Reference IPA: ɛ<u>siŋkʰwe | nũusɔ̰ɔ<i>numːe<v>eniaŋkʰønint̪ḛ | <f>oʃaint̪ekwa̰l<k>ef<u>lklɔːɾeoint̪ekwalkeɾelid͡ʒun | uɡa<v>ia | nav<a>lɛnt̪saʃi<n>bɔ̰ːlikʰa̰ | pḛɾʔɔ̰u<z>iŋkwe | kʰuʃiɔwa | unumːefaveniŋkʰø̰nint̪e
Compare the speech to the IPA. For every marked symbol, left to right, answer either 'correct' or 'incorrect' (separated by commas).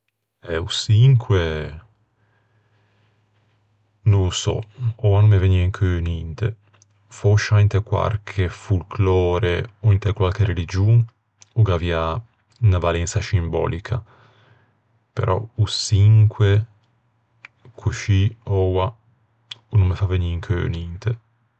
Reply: correct, incorrect, correct, correct, incorrect, correct, correct, correct, incorrect, incorrect